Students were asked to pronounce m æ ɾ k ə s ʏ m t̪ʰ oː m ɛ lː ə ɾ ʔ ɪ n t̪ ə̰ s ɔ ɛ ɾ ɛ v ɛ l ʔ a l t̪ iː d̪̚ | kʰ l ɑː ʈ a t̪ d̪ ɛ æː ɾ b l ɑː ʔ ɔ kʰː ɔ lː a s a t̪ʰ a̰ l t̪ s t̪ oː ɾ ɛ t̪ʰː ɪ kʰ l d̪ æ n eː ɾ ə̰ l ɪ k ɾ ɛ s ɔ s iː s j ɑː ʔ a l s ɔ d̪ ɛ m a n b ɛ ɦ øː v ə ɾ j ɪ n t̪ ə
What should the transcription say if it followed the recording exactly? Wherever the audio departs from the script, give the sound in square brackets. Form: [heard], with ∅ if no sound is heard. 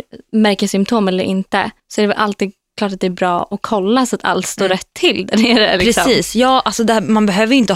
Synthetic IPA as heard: m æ ɾ k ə s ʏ m t̪ʰ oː m ɛ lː ə ɾ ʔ ɪ n t̪ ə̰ s ɔ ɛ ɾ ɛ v ɛ l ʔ a l t̪ iː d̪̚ | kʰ l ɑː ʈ a t̪ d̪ ɛ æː ɾ b [ɾ] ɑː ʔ ɔ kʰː ɔ lː a s a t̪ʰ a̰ l t̪ s t̪ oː ɾ ɛ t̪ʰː ɪ [∅] l d̪ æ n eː ɾ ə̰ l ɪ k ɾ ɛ s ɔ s iː s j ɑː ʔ a l s ɔ d̪ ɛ m a n b ɛ ɦ øː v ə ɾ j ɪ n t̪ ə